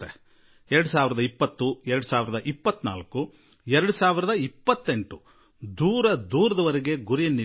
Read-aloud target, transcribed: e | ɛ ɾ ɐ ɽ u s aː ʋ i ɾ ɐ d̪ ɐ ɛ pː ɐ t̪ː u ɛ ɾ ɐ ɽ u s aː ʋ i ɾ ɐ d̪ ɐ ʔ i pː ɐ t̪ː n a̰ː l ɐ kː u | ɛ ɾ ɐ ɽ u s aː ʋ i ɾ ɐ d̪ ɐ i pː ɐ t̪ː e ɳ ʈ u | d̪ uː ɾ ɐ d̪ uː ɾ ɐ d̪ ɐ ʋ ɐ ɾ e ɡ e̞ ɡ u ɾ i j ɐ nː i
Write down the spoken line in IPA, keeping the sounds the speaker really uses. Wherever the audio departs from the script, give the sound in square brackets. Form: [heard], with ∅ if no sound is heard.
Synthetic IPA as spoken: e | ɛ ɾ ɐ ɽ u s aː ʋ i ɾ ɐ d̪ ɐ [i] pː ɐ t̪ː u ɛ ɾ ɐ ɽ u s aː ʋ i ɾ ɐ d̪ ɐ ʔ i pː ɐ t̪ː n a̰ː l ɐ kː u | ɛ ɾ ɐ ɽ u s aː ʋ i ɾ ɐ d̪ ɐ i pː ɐ t̪ː e ɳ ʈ u | d̪ uː ɾ ɐ d̪ uː ɾ ɐ d̪ ɐ ʋ ɐ ɾ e ɡ e̞ ɡ u ɾ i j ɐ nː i